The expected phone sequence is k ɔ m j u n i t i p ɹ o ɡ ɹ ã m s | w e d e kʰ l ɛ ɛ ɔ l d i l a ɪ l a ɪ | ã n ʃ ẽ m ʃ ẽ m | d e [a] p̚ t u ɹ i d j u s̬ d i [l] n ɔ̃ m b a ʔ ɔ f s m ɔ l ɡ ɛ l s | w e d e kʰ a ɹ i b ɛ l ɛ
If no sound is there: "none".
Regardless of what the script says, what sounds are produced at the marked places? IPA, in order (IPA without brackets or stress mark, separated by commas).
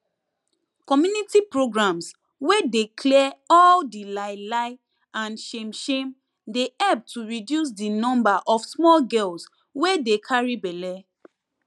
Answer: ɛ, none